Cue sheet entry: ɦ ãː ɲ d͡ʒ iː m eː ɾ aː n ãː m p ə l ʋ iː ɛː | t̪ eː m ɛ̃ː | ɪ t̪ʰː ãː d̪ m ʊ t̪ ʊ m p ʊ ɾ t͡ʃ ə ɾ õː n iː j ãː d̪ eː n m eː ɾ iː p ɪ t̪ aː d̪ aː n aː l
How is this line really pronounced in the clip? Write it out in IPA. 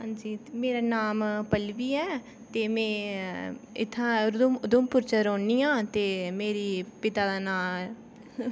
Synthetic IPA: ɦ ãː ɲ d͡ʒ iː m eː ɾ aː n aː m p ə l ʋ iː ɛː | t̪ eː m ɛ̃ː | ɪ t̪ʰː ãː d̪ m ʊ d̪ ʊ m p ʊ ɾ t͡ʃ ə ɾ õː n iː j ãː t̪ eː m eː ɾ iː p ɪ t̪ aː d̪ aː n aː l